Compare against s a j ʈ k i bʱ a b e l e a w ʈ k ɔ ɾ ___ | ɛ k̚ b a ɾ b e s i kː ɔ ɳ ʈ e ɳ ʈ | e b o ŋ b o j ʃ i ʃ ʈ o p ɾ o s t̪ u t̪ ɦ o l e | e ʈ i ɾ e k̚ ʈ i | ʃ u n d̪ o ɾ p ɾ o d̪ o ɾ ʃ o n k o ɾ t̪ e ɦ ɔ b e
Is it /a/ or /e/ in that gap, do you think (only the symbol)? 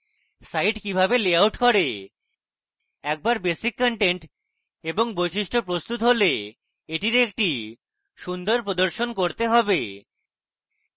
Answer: e